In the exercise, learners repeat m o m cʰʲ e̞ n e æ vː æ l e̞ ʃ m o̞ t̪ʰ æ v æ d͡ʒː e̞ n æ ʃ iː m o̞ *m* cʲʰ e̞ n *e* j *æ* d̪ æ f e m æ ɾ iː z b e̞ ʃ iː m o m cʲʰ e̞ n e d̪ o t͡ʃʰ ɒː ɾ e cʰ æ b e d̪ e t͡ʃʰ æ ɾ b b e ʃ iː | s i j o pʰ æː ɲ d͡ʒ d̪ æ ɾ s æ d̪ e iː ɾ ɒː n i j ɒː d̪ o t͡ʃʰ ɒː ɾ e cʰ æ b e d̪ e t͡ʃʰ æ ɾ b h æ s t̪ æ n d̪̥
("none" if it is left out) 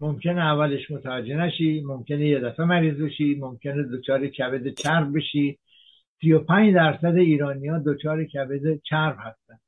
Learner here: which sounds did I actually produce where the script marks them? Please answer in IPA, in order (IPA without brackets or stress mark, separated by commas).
m, e, e